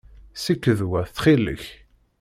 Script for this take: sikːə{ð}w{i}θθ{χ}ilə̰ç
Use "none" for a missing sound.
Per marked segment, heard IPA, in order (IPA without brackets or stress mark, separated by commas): ð, æ, χ